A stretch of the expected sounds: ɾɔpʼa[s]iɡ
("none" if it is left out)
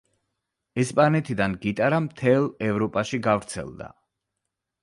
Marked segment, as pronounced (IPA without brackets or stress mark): ʃ